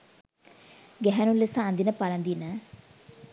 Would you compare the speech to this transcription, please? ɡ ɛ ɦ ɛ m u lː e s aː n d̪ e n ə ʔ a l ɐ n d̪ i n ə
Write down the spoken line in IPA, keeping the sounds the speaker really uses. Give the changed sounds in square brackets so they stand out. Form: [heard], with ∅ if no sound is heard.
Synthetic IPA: ɡ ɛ ɦ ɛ [n] u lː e s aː n d̪ [i] n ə [p] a l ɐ n d̪ i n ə